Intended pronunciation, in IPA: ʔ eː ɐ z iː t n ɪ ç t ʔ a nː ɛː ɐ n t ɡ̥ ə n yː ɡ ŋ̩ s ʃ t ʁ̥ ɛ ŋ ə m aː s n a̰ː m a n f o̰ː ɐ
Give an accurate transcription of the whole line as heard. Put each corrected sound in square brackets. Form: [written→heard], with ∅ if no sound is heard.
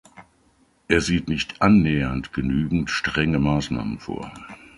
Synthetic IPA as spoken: ʔ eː ɐ z iː t n ɪ ç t ʔ a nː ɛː ɐ n t ɡ̥ ə n yː ɡ ŋ̩ [s→t] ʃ t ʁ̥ ɛ ŋ ə m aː s n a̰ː m [a→ə] n f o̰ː ɐ